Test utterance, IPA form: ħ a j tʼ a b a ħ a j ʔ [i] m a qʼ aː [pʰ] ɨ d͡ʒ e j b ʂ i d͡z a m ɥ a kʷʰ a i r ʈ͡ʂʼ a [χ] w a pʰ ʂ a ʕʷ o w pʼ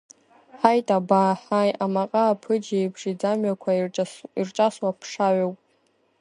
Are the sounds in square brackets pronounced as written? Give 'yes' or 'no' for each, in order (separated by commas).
no, yes, no